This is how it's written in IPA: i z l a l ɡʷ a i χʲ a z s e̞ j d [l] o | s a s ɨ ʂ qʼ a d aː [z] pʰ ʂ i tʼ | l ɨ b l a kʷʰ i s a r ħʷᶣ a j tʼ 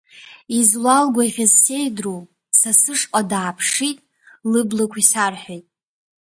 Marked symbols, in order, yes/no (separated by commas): no, no